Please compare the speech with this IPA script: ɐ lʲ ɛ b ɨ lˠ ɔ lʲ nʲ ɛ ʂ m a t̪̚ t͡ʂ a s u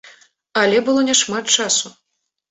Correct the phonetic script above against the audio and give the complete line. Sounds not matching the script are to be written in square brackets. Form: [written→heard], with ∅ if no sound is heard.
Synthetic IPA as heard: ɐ lʲ ɛ b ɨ lˠ ɔ [lʲ→∅] nʲ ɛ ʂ m a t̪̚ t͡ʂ a s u